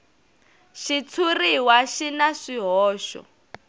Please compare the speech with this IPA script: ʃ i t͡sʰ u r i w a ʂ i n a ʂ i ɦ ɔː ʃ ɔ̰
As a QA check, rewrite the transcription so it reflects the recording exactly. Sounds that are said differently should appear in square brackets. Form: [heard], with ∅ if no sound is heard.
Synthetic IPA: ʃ i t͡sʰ u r i w a [ʃ] i n a ʂ i ɦ ɔː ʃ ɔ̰